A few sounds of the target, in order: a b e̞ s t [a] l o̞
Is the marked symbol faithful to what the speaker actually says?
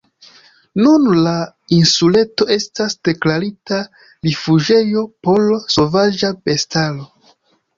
yes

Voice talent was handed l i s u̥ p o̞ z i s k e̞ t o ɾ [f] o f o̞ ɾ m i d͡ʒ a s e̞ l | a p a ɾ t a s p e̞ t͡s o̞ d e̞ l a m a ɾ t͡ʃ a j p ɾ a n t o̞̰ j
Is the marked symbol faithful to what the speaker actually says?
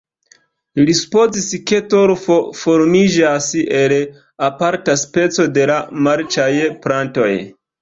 yes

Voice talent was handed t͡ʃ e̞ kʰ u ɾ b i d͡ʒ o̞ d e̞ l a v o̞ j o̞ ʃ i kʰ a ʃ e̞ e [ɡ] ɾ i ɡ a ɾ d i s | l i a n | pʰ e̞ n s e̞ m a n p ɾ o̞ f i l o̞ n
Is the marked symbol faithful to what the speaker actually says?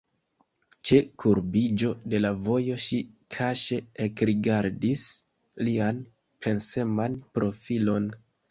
no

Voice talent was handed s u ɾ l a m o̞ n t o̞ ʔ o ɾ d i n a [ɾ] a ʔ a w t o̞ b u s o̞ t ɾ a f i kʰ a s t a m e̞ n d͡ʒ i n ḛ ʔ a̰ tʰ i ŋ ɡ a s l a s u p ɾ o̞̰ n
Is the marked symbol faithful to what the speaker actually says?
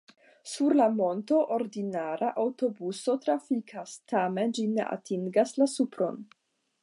yes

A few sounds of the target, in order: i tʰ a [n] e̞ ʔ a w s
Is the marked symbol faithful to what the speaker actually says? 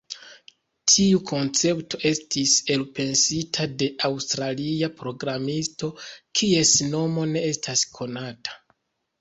no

